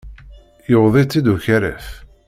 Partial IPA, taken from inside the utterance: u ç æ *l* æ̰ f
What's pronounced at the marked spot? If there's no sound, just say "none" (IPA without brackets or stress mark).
ɾ